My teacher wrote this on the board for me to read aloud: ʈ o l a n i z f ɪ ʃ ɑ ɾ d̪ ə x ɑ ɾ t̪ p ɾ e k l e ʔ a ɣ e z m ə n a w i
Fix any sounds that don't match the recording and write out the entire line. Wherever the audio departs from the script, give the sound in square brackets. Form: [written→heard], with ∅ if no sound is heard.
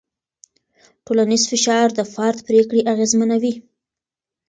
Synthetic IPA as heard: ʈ o l a n i z f ɪ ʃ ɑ ɾ d̪ ə [x→f] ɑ ɾ t̪ p ɾ e k [l→ɽ] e ʔ a ɣ e z m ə n a w i

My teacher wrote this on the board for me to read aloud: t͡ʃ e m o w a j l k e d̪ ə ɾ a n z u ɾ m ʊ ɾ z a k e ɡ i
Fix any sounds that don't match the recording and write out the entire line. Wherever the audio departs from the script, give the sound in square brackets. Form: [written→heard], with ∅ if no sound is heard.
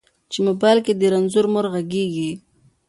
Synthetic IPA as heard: t͡ʃ e m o [w→b] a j l k e d̪ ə ɾ a n z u ɾ m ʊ ɾ [z→ɣ] a [k→ɡ] e ɡ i

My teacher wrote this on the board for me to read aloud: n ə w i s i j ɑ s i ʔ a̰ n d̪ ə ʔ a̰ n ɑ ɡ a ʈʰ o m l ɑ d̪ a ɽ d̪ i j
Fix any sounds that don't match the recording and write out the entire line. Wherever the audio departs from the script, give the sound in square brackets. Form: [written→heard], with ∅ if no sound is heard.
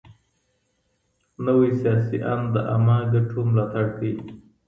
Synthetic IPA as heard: n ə w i s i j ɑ s i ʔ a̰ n d̪ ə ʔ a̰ [n→m] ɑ ɡ a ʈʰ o m l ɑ [d̪→t̪] a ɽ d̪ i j

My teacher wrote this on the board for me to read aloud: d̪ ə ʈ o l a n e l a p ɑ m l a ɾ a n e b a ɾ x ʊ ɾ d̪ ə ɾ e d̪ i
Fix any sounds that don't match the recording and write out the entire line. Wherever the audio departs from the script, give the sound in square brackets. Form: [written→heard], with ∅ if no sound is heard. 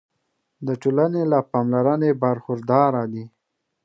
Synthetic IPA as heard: d̪ ə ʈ o l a n e l a p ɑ m l a ɾ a n e b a ɾ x ʊ ɾ d̪ [ə→ɑ] ɾ [e→a] d̪ i

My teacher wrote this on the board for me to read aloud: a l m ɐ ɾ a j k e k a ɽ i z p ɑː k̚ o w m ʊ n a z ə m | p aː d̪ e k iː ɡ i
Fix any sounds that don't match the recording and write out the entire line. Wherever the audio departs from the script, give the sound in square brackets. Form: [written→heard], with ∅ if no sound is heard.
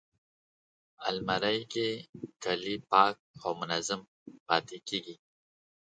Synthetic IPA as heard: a l m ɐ ɾ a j k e k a [ɽ→l] i [z→∅] p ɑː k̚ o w m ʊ n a z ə m | p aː [d̪→t̪] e k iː ɡ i

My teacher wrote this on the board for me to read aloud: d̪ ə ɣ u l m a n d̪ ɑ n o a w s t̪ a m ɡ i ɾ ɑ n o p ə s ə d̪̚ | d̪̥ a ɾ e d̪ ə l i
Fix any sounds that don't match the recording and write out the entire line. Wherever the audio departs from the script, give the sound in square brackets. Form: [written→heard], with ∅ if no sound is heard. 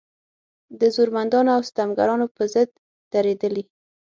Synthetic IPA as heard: d̪ ə [ɣ→z] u [l→ɾ] m a n d̪ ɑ n o a w s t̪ a m ɡ [i→a] ɾ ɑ n o p ə [s→z] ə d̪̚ | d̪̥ a ɾ e d̪ ə l i

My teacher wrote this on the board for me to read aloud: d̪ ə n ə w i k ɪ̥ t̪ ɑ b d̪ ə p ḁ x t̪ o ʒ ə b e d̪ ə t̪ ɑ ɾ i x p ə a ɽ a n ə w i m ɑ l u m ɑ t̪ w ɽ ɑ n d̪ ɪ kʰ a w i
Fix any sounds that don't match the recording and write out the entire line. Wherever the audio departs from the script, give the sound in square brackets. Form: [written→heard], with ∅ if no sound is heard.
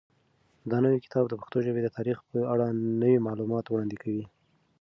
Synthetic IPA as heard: d̪ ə n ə w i k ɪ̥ t̪ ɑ b d̪ ə p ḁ x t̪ o ʒ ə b e d̪ ə t̪ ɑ ɾ i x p ə a ɽ a n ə w i m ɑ l u m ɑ t̪ w ɽ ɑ n d̪ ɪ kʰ a w i

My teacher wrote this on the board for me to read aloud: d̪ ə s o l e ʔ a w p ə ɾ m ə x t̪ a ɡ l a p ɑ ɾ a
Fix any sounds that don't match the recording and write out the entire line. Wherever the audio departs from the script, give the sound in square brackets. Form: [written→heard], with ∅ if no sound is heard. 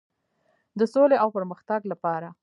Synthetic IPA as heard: d̪ ə s o l e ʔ a w p ə ɾ m ə x t̪ a ɡ l a p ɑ ɾ a

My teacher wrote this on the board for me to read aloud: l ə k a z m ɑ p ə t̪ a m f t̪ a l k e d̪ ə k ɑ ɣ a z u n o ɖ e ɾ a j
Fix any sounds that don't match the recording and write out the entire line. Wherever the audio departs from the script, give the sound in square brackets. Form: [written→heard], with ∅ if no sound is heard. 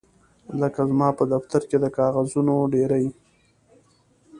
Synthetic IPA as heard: l ə k a z m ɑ p ə [t̪→d̪] a [m→∅] f t̪ a [l→ɾ] k e d̪ ə k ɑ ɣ a z u n o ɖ e ɾ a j

